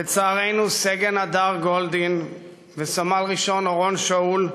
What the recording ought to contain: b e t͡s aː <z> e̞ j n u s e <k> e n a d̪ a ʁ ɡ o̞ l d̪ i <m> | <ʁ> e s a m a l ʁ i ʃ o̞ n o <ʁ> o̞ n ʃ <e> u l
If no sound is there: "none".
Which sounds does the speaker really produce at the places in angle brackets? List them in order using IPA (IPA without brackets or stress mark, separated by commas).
ʁ, ɡ, n, v, ʁ, a